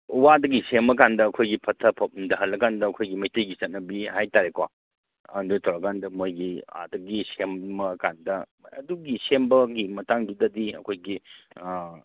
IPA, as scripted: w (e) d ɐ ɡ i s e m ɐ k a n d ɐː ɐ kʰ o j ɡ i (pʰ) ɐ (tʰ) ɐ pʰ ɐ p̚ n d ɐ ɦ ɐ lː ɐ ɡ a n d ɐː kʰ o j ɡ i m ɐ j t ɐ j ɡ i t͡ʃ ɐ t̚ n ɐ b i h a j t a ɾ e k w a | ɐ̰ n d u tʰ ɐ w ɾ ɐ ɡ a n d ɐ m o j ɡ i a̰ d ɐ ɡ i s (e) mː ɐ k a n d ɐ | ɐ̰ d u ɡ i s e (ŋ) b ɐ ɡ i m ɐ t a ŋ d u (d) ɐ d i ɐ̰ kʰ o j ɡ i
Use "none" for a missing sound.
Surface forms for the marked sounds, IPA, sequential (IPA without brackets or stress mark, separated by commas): a, pʰ, tʰ, e, m, d